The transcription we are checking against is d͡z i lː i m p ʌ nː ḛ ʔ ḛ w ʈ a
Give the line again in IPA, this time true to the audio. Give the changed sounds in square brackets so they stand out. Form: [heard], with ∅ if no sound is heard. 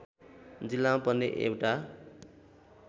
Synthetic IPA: d͡z i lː [a] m p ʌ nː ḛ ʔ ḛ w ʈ a